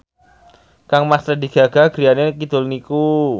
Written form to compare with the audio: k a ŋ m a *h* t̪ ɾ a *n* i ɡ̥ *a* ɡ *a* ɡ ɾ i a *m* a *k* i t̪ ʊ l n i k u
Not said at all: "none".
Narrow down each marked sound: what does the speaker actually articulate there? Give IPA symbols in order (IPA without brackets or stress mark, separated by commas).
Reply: s, d, a, a, n, k